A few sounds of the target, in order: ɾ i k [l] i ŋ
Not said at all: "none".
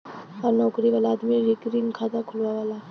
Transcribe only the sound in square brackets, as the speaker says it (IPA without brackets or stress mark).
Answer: ɾ